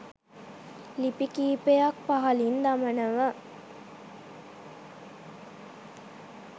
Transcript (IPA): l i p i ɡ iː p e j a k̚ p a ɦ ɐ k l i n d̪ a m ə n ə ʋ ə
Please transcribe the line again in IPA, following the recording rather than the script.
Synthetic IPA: l i p i k iː p e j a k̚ p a ɦ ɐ l i n d̪ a m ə n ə ʋ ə